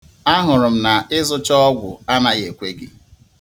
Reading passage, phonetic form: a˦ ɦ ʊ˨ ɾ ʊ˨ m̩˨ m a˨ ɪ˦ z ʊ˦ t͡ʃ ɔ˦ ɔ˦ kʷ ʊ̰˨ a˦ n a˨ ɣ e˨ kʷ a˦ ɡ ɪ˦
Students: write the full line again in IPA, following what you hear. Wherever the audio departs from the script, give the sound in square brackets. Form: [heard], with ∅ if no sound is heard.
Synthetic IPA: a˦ ɦ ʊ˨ ɾ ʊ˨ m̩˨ [n] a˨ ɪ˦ z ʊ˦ t͡ʃ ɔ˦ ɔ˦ [ɡʷ] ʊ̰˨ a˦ n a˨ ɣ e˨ kʷ [e˦] ɡ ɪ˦